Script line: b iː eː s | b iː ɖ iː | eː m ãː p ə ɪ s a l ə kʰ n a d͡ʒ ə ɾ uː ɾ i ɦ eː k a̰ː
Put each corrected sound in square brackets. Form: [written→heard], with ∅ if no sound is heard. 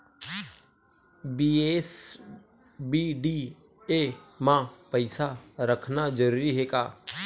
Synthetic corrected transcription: b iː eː s | b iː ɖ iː | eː m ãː p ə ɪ s a [l→ɾ] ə kʰ n a d͡ʒ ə ɾ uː ɾ i ɦ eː k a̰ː